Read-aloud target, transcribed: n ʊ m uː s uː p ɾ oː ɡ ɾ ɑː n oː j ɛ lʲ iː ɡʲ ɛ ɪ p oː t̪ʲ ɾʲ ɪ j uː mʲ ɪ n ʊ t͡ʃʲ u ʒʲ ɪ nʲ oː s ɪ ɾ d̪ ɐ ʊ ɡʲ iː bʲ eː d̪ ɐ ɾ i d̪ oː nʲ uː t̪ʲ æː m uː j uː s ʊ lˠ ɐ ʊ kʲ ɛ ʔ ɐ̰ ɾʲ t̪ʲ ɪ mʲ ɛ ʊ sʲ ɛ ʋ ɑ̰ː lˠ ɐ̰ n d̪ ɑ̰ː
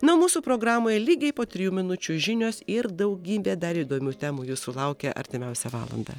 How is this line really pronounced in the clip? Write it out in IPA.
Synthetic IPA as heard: n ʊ m uː s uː p ɾ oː ɡ ɾ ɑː m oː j ɛ lʲ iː ɡʲ ɛ ɪ p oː t̪ʲ ɾʲ ɪ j uː mʲ ɪ n ʊ t͡ʃʲ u ʒʲ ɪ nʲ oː s ɪ ɾ d̪ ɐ ʊ ɡʲ iː bʲ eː d̪ ɐ ɾ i d̪ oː mʲ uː t̪ʲ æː m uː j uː s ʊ lˠ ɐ ʊ kʲ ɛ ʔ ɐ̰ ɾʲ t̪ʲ ɪ mʲ ɛ ʊ sʲ ɛ ʋ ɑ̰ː lˠ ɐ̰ n d̪ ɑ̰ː